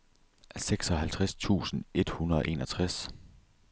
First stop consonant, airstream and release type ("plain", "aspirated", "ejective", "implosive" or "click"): plain